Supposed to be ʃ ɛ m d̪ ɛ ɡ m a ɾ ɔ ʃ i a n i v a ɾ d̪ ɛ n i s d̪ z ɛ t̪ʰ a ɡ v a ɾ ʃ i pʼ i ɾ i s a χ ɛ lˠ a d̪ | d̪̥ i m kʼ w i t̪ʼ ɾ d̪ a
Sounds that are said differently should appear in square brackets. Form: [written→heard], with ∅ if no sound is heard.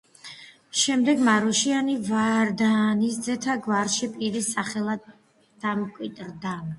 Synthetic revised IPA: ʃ ɛ m d̪ ɛ ɡ m a ɾ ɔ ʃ i a n i v a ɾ d̪ [ɛ→a] n i s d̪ z ɛ t̪ʰ a ɡ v a ɾ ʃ i pʼ i ɾ i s a χ ɛ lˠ a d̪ | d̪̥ [i→a] m kʼ w i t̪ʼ ɾ d̪ a